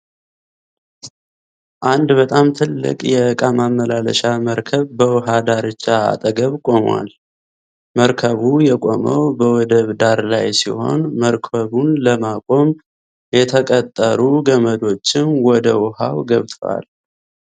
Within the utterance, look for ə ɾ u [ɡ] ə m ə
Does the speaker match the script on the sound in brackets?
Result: yes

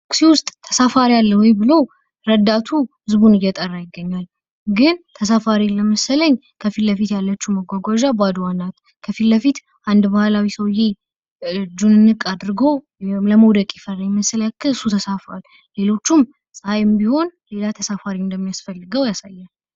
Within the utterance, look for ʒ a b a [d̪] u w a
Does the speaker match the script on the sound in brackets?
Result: yes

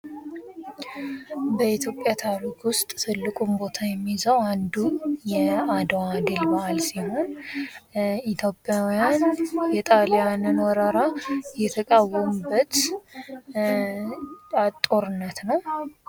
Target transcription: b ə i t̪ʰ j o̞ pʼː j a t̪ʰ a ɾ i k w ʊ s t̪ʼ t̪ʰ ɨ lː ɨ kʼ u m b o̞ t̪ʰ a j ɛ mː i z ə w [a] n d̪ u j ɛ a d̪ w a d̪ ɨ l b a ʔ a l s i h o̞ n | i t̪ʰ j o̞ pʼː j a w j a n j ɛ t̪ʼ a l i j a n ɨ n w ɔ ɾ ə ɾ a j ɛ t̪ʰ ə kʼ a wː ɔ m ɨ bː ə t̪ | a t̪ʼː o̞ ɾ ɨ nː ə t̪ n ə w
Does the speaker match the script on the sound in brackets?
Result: yes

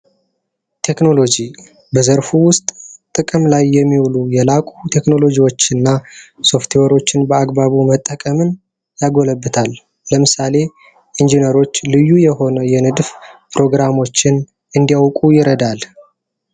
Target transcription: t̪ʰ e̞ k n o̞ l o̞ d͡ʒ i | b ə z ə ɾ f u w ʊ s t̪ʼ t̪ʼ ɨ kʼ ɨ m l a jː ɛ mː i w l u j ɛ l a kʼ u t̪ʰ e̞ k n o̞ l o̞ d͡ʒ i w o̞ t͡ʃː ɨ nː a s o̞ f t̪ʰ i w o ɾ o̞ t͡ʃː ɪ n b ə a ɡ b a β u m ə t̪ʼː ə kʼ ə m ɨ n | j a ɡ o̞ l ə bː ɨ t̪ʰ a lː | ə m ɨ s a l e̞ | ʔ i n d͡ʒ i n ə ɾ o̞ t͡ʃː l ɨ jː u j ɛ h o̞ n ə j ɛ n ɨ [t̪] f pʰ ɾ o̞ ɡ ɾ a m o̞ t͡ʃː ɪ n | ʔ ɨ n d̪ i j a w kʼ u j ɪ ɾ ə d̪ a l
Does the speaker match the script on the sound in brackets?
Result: no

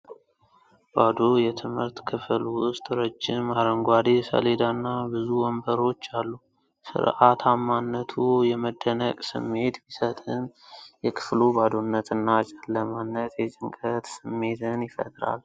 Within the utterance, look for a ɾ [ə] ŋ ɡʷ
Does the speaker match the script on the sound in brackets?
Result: yes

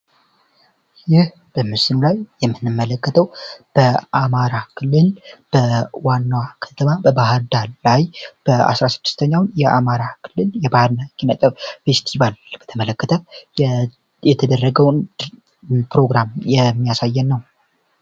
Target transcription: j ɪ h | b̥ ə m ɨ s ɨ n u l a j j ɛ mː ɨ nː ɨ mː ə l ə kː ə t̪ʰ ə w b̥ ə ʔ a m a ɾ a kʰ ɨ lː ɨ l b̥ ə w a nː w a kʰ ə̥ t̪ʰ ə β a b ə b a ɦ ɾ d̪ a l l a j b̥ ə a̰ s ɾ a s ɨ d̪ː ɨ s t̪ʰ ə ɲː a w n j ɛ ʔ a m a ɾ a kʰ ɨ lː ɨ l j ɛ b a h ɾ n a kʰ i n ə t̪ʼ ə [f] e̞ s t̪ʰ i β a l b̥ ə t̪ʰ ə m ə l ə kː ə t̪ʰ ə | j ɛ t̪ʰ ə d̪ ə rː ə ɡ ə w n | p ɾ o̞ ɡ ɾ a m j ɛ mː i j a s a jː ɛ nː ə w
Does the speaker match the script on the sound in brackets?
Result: yes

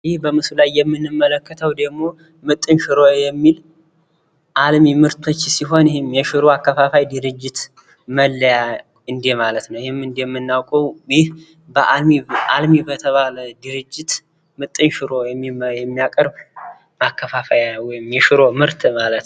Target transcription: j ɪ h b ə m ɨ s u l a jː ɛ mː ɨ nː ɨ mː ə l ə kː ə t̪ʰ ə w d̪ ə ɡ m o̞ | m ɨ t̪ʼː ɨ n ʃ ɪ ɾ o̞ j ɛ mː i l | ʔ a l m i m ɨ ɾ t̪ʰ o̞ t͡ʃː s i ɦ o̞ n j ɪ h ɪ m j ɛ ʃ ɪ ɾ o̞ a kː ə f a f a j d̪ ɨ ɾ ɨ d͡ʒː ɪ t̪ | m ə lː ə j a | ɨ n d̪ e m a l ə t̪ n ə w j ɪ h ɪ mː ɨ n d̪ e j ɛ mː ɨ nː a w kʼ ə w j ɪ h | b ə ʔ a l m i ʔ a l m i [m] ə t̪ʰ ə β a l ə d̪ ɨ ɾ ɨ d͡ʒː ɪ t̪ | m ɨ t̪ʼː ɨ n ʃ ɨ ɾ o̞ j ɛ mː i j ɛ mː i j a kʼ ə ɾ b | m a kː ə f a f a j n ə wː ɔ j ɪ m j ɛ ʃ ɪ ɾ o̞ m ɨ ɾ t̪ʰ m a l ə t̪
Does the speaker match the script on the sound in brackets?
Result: no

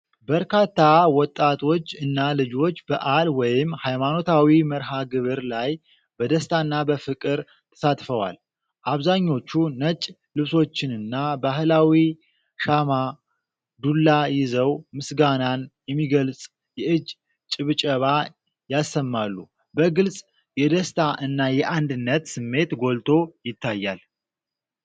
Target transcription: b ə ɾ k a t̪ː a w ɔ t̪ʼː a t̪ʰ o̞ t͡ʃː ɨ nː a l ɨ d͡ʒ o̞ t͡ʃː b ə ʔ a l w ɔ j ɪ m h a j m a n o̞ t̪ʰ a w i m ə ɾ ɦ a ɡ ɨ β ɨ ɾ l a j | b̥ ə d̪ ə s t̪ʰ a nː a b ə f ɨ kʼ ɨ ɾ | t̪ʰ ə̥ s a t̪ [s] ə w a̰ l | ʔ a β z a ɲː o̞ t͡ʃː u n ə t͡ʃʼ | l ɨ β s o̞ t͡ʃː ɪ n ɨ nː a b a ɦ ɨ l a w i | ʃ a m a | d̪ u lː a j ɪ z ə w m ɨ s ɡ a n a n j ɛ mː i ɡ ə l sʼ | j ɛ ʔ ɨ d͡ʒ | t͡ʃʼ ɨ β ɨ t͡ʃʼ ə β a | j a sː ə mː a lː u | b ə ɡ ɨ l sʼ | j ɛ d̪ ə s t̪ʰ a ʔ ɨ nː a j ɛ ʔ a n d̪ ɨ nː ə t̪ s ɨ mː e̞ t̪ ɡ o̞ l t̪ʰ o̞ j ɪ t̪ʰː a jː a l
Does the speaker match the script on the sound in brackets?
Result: no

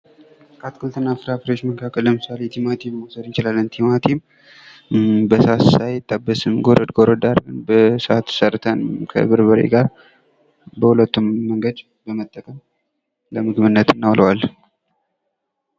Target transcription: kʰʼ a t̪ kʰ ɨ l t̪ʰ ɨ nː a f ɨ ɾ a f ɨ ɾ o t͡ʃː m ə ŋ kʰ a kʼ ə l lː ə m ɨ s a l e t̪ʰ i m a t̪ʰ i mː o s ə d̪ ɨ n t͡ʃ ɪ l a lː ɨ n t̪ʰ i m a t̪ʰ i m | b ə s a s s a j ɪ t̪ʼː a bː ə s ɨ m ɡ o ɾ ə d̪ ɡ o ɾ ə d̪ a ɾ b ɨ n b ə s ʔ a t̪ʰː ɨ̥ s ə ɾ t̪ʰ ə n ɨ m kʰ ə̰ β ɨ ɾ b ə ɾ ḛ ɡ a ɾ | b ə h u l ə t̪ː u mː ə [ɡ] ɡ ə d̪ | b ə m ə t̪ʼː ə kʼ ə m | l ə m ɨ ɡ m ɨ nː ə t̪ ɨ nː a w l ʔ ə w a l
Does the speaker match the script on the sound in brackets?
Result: no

